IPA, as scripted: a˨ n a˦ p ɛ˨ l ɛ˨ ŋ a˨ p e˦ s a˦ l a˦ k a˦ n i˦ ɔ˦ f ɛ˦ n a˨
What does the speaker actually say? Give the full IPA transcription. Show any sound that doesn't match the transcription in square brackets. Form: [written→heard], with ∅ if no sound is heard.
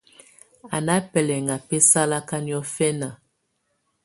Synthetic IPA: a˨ n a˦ p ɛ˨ l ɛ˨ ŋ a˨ p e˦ s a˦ l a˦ k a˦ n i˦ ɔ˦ f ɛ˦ n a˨